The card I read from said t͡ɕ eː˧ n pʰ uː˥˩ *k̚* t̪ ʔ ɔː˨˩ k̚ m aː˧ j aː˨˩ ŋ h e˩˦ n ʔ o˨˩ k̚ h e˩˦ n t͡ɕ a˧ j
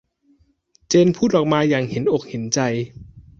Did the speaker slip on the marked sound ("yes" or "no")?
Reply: yes